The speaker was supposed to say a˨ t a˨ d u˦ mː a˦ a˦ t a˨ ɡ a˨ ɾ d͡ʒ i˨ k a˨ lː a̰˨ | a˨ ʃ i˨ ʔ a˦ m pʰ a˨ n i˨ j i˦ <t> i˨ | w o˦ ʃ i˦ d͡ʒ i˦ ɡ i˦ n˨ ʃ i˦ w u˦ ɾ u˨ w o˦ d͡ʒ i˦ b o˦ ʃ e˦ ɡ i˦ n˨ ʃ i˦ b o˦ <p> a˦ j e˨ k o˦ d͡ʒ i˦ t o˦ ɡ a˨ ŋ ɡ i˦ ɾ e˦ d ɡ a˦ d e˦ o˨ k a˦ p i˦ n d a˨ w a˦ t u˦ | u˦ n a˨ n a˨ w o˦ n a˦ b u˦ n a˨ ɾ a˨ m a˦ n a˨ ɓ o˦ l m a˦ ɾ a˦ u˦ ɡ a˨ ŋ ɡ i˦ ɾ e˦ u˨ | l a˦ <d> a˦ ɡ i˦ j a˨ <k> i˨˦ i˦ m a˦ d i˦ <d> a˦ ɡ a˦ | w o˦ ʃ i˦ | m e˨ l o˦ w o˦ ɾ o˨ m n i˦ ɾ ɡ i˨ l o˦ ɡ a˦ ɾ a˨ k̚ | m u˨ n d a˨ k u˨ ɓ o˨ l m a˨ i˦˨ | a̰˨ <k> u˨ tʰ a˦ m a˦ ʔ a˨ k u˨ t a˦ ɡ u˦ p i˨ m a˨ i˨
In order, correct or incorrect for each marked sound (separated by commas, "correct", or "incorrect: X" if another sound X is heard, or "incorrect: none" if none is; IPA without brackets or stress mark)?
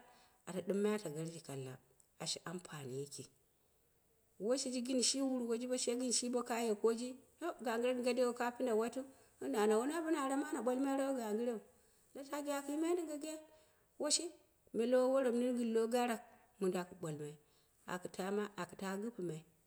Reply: incorrect: k, incorrect: k, incorrect: t, correct, incorrect: ɡ, correct